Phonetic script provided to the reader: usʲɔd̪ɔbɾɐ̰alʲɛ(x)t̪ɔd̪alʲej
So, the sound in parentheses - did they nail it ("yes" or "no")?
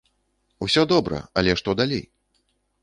no